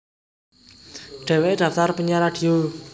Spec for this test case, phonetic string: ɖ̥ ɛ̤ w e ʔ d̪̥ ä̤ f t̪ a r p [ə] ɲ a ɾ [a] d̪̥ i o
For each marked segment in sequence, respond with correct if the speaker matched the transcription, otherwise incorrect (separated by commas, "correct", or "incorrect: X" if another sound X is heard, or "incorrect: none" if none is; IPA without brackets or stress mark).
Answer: correct, correct